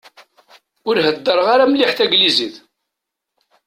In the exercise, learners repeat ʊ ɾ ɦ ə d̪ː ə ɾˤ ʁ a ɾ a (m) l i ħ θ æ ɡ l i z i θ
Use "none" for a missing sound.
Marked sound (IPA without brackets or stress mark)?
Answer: m